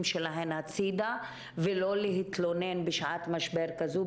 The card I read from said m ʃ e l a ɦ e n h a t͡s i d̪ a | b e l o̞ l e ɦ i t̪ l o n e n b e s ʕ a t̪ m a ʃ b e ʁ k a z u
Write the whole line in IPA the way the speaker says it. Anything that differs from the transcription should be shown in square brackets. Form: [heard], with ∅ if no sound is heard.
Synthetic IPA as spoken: m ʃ e l a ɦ e n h a t͡s i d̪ a | [v] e l o̞ l e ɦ i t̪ l o n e n b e [ʃ] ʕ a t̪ m a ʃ b e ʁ k a z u

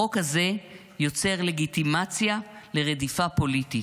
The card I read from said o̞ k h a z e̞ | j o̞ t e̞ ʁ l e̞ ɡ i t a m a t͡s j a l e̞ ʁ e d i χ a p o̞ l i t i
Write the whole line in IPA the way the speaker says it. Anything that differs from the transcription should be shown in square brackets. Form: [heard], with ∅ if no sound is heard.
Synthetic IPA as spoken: o̞ k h a z e̞ | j o̞ [t͡s] e̞ ʁ l e̞ ɡ i t [i] m a t͡s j a l e̞ ʁ e d i [f] a p o̞ l i t i

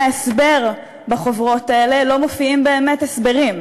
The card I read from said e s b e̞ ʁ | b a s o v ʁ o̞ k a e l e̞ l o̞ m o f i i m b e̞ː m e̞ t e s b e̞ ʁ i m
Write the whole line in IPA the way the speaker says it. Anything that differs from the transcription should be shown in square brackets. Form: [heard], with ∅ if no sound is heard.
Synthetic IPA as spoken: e s b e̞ ʁ | b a [χ] o v ʁ o̞ [t] a e l e̞ l o̞ m o f i i m b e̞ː m e̞ t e s b e̞ ʁ i m

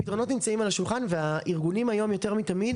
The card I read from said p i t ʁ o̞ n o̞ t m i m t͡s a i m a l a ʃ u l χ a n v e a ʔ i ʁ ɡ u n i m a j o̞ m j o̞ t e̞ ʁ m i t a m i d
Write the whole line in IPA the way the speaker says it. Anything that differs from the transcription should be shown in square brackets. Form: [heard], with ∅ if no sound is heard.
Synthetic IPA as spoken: p i t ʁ o̞ n o̞ t [n] i m t͡s a i m a l a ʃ u l χ a n v e a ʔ i ʁ ɡ u n i m a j o̞ m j o̞ t e̞ ʁ m i t a m i d

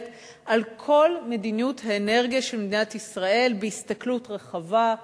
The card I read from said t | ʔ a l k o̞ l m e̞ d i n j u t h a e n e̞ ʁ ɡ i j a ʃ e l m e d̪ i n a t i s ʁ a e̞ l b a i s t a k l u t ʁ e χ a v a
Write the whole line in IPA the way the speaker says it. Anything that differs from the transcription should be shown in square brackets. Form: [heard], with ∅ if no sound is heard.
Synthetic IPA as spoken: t | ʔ a l [kʰ] o̞ l m e̞ d i n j u t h a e n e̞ ʁ ɡ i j a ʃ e l m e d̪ i n a t i s ʁ a e̞ l b [e] i s t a k l u t ʁ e χ a v a

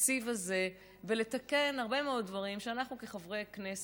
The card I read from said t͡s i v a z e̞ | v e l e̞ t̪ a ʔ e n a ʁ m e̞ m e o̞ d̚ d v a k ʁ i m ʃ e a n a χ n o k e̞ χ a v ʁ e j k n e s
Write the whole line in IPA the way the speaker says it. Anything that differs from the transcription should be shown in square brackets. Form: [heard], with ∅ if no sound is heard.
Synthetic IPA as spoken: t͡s i v a z e̞ | v e l e̞ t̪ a [k] e n a ʁ [b] e̞ m e o̞ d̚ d v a [∅] ʁ i m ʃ e a n a χ n [u] k e̞ χ a v ʁ e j k n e s

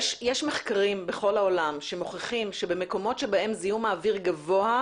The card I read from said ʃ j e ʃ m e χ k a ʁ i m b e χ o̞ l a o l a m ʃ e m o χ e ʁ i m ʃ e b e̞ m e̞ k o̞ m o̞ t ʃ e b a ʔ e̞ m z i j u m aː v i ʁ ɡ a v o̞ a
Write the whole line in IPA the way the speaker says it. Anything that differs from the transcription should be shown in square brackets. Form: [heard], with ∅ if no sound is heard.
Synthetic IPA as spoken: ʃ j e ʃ m e χ k a ʁ i m b e χ o̞ l a o l a m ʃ e m o χ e [χ] i m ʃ e b e̞ m e̞ k o̞ m o̞ t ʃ e b a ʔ e̞ m z i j u m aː v i ʁ ɡ a v o̞ a

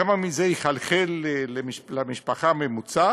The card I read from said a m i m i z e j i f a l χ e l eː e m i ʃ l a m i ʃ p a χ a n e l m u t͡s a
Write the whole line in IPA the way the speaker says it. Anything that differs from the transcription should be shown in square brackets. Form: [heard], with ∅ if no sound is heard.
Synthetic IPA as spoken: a m [a] m i z e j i [χ] a l χ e l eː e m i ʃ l a m i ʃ p a χ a [m] e [∅] m u t͡s a

